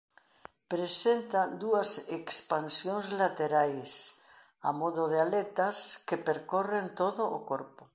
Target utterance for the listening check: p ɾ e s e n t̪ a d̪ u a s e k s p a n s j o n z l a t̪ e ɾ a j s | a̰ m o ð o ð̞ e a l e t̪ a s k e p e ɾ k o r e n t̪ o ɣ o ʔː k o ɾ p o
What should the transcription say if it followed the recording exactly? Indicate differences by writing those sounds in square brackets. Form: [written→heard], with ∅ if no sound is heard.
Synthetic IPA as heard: p ɾ e s e n t̪ a d̪ u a s e k s p a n s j o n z l a t̪ e ɾ a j s | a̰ m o ð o ð̞ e a l e t̪ a s k e p e ɾ k o r e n t̪ o [ɣ→ð] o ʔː k o ɾ p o